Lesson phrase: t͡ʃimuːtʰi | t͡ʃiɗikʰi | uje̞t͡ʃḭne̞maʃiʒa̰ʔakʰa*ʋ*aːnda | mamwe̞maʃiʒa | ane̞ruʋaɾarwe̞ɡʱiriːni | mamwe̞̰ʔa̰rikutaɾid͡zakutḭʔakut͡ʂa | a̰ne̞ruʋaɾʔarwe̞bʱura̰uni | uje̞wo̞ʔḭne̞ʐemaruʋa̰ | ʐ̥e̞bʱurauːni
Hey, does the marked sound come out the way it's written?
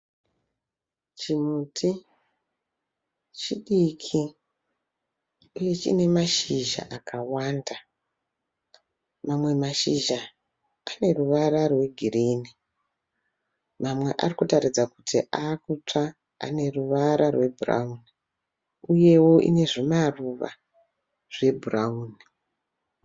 no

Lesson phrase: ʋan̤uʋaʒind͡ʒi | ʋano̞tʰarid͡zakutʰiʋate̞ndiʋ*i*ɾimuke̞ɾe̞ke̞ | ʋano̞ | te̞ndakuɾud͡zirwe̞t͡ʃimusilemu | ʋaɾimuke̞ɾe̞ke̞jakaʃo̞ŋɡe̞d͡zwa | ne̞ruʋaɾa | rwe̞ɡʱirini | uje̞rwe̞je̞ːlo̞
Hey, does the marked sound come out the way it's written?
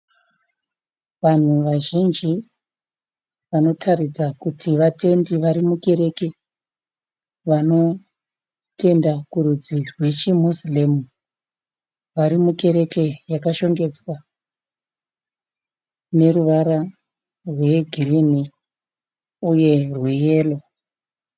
no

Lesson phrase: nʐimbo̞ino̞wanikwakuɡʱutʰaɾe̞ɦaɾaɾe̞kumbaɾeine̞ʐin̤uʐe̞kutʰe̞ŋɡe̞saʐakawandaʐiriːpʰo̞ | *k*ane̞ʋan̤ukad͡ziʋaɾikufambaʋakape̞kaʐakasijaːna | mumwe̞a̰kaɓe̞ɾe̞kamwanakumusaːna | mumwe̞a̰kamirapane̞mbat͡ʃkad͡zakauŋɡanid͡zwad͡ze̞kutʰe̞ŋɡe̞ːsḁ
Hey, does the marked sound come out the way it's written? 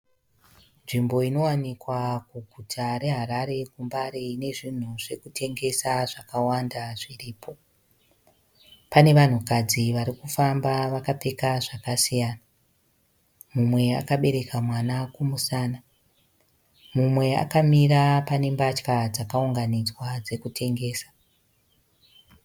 no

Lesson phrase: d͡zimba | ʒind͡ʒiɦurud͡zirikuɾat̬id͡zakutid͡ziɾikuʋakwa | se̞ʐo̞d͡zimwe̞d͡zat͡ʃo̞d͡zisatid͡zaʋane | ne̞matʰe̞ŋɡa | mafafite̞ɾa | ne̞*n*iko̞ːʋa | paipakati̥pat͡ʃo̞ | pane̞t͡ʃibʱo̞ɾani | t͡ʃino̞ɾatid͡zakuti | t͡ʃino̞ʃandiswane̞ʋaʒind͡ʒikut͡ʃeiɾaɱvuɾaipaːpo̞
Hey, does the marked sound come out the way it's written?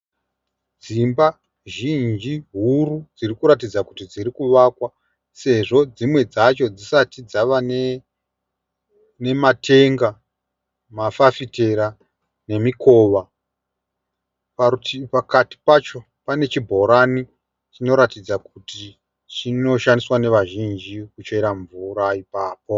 no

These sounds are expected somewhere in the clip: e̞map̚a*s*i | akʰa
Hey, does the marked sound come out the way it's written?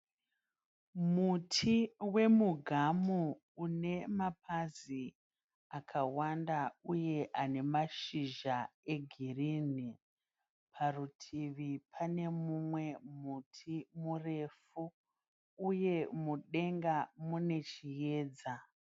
no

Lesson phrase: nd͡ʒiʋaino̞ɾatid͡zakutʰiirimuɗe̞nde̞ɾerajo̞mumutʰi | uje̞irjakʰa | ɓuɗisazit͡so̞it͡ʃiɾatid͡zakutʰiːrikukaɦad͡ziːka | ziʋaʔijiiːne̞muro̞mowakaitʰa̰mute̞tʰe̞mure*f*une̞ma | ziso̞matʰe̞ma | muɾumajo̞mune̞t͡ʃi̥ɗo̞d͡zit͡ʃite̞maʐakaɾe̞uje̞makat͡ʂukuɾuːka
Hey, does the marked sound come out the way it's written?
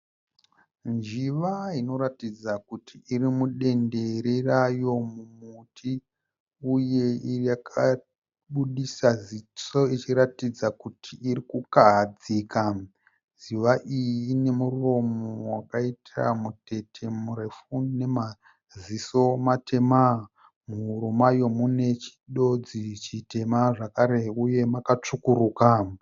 yes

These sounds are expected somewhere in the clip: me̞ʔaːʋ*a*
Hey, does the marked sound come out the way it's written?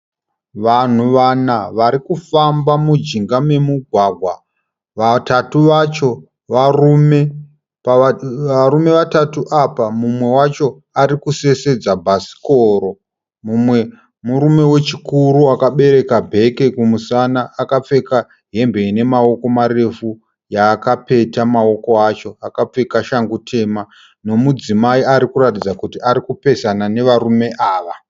yes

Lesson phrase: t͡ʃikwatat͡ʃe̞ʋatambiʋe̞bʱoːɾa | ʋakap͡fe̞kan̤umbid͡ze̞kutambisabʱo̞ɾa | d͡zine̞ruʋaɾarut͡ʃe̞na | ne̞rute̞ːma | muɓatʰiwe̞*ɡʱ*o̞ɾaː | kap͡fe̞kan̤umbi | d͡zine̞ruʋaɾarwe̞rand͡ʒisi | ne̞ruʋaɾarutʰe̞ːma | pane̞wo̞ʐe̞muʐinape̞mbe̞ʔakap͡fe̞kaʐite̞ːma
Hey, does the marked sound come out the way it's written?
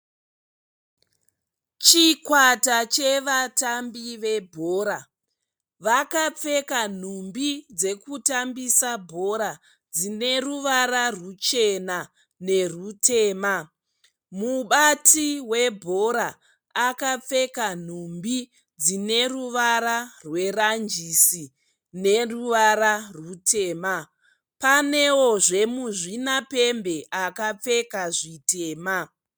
no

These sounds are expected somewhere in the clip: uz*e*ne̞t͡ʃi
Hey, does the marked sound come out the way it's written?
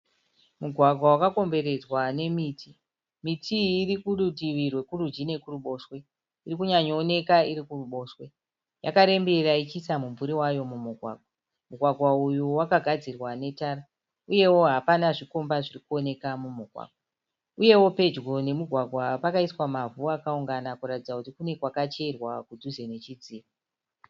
yes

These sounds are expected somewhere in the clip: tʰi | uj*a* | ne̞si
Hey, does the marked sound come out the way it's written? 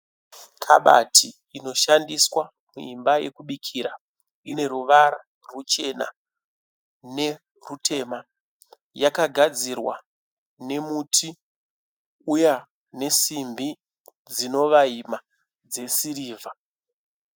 yes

